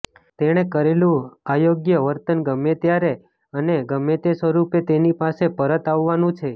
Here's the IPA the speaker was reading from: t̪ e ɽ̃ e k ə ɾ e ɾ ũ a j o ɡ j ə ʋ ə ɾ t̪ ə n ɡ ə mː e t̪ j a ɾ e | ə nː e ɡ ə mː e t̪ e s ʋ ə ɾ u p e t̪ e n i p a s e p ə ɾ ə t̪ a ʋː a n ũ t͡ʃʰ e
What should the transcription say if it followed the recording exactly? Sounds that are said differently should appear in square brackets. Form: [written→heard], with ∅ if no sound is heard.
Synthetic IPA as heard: t̪ e ɽ̃ e k ə ɾ e [ɾ→l] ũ a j o ɡ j ə ʋ ə ɾ t̪ ə n ɡ ə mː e t̪ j a ɾ e | ə [nː→n] e ɡ ə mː e t̪ e s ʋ ə ɾ u p e t̪ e n i p a s e p ə ɾ ə t̪ a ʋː a n ũ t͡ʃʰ e

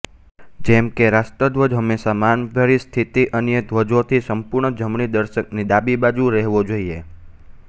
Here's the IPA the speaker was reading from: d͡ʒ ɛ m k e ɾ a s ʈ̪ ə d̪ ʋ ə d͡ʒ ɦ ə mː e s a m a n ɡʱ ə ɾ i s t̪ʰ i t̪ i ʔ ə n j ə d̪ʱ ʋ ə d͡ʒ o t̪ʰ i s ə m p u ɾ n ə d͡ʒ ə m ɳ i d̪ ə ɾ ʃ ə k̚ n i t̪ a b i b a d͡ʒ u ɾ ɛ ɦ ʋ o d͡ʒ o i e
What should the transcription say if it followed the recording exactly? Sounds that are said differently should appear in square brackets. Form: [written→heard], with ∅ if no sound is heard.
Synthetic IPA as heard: d͡ʒ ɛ m k e ɾ a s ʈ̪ ə d̪ ʋ ə d͡ʒ ɦ ə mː e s a m a n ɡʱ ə ɾ i s t̪ʰ i t̪ i ʔ ə n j ə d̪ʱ ʋ ə d͡ʒ o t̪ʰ i s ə m p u ɾ [n→ɳ] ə d͡ʒ ə m ɳ i d̪ ə ɾ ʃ ə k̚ n i [t̪→d̪] a b i b a d͡ʒ u ɾ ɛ ɦ ʋ o d͡ʒ o i e

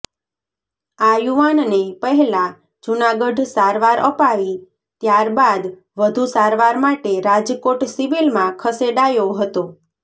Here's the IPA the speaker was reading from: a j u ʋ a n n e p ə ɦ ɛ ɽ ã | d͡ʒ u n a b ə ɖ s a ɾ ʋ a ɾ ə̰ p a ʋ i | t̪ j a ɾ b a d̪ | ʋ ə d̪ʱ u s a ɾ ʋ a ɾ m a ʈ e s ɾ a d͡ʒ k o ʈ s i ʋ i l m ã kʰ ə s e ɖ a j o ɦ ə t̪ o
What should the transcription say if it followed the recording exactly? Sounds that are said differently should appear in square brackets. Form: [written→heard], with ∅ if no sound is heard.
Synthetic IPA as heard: a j u ʋ a n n e p ə ɦ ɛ [ɽ→l] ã | d͡ʒ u n a [b→ɡ] ə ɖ s a ɾ ʋ a ɾ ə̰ p a ʋ i | t̪ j a ɾ b a d̪ | ʋ ə d̪ʱ u s a ɾ ʋ a ɾ m a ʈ e [s→∅] ɾ a d͡ʒ k o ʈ s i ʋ i l m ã kʰ ə s e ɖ a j o ɦ ə t̪ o

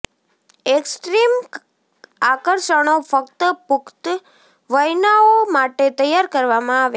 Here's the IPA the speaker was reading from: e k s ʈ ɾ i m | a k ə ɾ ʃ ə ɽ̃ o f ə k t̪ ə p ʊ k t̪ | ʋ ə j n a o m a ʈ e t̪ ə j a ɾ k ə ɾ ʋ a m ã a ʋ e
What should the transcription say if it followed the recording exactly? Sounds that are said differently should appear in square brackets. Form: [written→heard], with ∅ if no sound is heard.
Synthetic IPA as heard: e k s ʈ ɾ i m | a k ə ɾ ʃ ə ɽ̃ o f ə k t̪ ə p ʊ k t̪ | ʋ ə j n a o m a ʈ e t̪ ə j a ɾ k ə ɾ ʋ a m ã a ʋ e

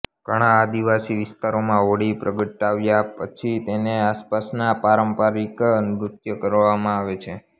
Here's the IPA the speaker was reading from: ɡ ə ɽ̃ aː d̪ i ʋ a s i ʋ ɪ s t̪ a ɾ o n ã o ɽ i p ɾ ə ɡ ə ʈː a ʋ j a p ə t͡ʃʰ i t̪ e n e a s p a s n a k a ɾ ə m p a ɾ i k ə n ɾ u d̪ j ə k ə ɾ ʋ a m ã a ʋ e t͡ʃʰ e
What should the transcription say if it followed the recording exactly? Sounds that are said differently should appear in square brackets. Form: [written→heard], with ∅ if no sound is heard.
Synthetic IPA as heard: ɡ ə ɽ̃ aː d̪ i ʋ a s i ʋ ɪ s t̪ a ɾ o [n→m] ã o ɽ i p ɾ ə ɡ ə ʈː a ʋ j a p ə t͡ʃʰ i t̪ e n e a s p a s n a [k→p] a ɾ ə m p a ɾ i k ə n ɾ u [d̪→t̪] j ə k ə ɾ ʋ a m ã a ʋ e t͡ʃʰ e

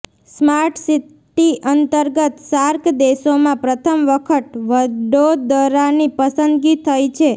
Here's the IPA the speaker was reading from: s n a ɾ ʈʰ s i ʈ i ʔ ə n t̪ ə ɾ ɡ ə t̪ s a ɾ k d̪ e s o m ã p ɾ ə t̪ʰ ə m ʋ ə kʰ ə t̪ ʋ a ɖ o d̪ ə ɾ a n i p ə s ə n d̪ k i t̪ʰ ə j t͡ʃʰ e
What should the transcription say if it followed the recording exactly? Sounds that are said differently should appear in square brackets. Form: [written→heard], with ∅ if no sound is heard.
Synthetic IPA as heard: s [n→m] a ɾ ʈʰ s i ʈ i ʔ ə n t̪ ə ɾ ɡ ə t̪ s a ɾ k d̪ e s o m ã p ɾ ə t̪ʰ ə m ʋ ə kʰ ə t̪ ʋ [a→ə] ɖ o d̪ ə ɾ a n i p ə s ə n d̪ [k→ɡ] i t̪ʰ ə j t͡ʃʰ e

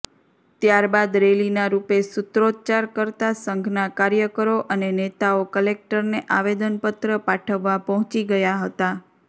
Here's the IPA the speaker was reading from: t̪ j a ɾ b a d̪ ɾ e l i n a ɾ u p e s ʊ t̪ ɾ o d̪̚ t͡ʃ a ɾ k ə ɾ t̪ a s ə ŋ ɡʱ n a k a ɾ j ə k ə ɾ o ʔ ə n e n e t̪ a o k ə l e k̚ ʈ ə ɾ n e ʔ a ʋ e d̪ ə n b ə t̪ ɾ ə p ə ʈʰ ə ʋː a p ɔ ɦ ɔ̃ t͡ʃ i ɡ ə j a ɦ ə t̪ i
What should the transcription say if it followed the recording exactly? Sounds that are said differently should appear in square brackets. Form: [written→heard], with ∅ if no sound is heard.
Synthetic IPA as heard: t̪ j a ɾ b a d̪ ɾ e l i n a ɾ u p e s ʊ t̪ ɾ o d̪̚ t͡ʃ a ɾ k ə ɾ t̪ a s ə ŋ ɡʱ n a k a ɾ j ə k ə ɾ o ʔ ə n e n e t̪ a o k ə l e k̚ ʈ ə ɾ n e ʔ a ʋ e d̪ ə n [b→p] ə t̪ ɾ ə p [ə→a] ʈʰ ə ʋː a p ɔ ɦ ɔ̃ t͡ʃ i ɡ ə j a ɦ ə t̪ [i→a]

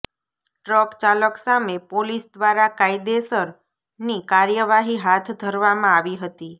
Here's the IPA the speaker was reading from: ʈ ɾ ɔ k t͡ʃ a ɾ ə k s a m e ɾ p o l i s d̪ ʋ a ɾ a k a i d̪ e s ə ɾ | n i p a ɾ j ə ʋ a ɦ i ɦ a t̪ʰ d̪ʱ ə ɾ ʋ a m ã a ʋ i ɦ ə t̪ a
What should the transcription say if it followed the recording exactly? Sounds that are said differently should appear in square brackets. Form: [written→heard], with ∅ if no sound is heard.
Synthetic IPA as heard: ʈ ɾ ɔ k t͡ʃ a [ɾ→l] ə k s a m e [ɾ→∅] p o l i s d̪ ʋ a ɾ a k a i d̪ e s ə ɾ | n i [p→k] a ɾ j ə ʋ a ɦ i ɦ a t̪ʰ d̪ʱ ə ɾ ʋ a m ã a ʋ i ɦ ə t̪ [a→i]

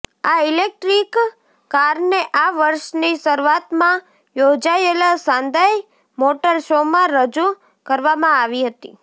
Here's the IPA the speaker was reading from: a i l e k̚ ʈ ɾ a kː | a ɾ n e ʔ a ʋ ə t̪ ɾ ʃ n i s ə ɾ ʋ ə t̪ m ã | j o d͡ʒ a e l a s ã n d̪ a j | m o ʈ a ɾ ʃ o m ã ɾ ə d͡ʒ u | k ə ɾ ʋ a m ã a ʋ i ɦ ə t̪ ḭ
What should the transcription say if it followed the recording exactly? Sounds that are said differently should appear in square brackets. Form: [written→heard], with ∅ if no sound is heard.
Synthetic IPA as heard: a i l e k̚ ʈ ɾ [a→i] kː | a ɾ n e ʔ a ʋ ə [t̪→∅] ɾ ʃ n i s ə ɾ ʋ [ə→a] t̪ m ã | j o d͡ʒ a e l a s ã n d̪ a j | m o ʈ [a→ə] ɾ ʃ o m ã ɾ ə d͡ʒ u | k ə ɾ ʋ a m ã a ʋ i ɦ ə t̪ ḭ

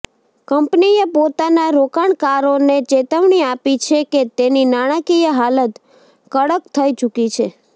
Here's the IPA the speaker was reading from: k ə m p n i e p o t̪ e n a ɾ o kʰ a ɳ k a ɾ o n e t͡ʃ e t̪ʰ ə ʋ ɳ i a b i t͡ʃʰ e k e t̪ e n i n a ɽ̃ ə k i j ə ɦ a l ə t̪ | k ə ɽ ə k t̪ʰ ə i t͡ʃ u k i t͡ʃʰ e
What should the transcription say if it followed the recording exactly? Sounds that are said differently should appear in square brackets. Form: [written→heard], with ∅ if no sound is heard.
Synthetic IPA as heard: k ə m p n i e p o t̪ [e→a] n a ɾ o [kʰ→k] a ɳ k a ɾ o n e t͡ʃ e [t̪ʰ→t̪] ə ʋ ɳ i a [b→p] i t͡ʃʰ e k e t̪ e n i n a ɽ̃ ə k i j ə ɦ a l ə t̪ | k ə ɽ ə k t̪ʰ ə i t͡ʃ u k i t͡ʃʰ e

